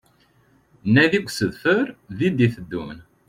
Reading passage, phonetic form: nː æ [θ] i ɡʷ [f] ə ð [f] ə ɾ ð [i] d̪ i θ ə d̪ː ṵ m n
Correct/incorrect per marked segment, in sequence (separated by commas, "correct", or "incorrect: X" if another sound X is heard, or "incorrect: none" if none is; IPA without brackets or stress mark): incorrect: ð, incorrect: s, correct, correct